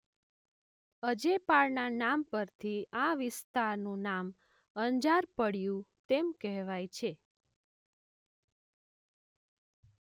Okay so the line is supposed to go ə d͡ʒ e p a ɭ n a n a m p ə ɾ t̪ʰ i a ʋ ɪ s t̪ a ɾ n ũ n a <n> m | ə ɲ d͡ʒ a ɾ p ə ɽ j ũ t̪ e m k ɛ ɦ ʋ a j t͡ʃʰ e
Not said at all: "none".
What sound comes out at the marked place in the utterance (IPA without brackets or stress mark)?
none